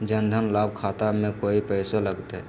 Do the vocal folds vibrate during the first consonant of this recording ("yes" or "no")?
yes